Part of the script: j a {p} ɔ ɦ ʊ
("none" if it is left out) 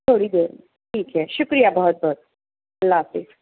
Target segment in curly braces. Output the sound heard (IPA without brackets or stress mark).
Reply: b